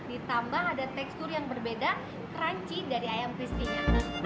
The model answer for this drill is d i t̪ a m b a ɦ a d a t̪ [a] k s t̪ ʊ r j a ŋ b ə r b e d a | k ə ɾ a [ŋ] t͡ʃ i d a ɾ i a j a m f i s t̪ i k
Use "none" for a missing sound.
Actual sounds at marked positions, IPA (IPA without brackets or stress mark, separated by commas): ɛ, ɲ